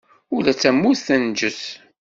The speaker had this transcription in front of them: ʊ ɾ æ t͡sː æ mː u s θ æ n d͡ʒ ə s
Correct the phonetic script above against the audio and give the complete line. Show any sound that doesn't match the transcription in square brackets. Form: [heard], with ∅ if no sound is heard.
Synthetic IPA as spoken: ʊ [l] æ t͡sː æ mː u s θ æ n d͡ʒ ə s